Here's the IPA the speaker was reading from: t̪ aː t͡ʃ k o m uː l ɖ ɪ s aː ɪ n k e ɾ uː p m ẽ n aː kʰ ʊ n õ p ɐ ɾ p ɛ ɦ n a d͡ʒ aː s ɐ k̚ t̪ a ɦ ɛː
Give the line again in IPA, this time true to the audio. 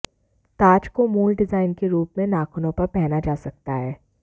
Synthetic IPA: t̪ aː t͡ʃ k o m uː l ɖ ɪ z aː ɪ n k e ɾ uː p m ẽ n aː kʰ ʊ n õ p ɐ ɾ p ɛ ɦ n a d͡ʒ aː s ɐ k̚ t̪ a ɦ ɛː